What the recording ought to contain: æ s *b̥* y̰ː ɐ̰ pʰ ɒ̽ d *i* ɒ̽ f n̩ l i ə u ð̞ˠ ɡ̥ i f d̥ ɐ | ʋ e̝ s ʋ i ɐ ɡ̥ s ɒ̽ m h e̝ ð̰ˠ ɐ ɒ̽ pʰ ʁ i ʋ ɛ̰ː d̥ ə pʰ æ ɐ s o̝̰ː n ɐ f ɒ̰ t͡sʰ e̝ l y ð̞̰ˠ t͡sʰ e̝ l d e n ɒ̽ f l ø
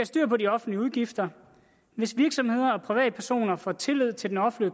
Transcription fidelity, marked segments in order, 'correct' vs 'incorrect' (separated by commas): incorrect, correct